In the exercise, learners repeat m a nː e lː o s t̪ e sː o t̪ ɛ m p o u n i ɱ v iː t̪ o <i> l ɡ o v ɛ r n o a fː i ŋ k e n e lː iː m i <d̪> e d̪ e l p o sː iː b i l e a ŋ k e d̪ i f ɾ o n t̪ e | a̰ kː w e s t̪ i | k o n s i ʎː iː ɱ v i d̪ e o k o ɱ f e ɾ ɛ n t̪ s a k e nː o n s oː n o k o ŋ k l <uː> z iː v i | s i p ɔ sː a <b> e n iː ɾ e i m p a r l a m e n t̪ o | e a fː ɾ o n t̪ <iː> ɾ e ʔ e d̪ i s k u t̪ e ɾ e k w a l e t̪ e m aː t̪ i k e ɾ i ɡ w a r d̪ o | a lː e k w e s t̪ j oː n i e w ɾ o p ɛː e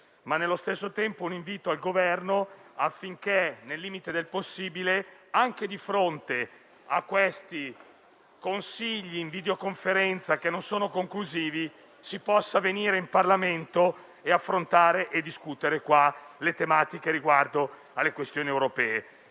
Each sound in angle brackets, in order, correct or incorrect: incorrect: a, incorrect: t̪, incorrect: u, incorrect: v, incorrect: aː

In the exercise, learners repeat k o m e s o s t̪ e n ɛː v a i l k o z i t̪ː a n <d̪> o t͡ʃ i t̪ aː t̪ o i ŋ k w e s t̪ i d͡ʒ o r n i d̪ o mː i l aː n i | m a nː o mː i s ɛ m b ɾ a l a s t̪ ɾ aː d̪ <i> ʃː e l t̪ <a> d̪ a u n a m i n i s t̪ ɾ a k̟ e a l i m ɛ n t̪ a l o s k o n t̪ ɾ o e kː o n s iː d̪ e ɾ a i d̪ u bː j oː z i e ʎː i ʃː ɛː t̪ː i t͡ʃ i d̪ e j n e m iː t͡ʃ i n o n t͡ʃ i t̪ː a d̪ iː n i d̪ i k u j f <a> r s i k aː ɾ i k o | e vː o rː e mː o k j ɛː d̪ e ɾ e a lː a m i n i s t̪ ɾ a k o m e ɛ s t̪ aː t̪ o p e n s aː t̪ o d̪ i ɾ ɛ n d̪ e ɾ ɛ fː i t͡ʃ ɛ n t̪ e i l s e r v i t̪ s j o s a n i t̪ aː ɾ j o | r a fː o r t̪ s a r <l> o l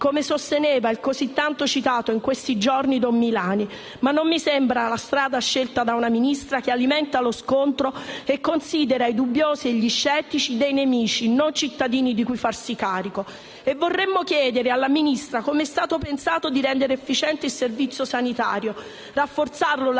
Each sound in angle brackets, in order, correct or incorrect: incorrect: t̪, incorrect: a, correct, correct, correct

